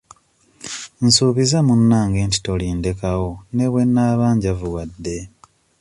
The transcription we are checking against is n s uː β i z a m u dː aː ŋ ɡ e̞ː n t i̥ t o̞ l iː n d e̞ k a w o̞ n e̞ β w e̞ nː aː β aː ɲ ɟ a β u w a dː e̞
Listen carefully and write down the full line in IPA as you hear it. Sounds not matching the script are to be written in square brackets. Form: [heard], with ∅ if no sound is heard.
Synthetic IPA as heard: n s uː β i z a m u [nː] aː ŋ ɡ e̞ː n t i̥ t o̞ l iː n d e̞ k a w o̞ n e̞ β w e̞ nː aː β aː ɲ ɟ a [v] u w a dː e̞